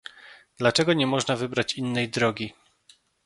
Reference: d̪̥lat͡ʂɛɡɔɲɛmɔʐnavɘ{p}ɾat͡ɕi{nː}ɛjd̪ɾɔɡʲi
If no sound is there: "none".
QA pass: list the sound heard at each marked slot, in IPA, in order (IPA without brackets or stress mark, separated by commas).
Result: b, nː